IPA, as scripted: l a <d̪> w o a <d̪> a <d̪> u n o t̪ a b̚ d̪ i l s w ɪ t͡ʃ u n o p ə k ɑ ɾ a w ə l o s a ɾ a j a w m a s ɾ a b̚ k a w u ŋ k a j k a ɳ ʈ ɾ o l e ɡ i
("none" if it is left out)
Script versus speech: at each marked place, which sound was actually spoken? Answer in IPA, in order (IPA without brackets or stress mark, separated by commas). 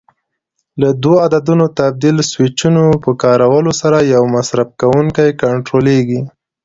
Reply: d̪, d̪, d̪